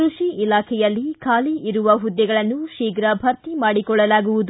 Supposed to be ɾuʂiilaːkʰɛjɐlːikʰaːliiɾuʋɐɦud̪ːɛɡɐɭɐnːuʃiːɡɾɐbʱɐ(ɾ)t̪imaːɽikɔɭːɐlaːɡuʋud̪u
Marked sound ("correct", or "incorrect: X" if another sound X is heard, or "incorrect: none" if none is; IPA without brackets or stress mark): correct